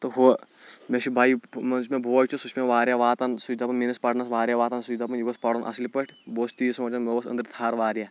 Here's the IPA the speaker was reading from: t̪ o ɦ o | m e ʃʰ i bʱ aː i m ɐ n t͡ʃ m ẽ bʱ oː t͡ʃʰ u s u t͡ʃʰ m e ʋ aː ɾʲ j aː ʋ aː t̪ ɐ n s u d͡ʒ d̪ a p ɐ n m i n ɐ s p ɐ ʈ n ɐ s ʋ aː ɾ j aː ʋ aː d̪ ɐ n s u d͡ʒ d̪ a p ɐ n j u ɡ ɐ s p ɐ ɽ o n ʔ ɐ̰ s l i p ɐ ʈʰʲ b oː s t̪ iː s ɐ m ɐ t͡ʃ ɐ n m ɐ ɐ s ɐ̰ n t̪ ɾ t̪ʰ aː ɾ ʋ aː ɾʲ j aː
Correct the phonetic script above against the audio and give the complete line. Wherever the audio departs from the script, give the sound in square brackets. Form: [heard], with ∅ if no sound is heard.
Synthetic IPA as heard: t̪ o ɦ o | m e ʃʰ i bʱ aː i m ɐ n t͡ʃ m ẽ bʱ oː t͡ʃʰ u s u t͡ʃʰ m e ʋ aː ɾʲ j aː ʋ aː t̪ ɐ n s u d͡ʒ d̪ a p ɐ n m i n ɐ s p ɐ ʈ n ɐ s ʋ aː ɾ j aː ʋ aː [t̪] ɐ n s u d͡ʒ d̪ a p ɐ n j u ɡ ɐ s p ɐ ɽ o n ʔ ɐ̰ s l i p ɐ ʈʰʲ b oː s t̪ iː s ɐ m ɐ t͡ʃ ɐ n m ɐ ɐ s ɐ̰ n [d̪] ɾ t̪ʰ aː ɾ ʋ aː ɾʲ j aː